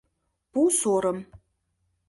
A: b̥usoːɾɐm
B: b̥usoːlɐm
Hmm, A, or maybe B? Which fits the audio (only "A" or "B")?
A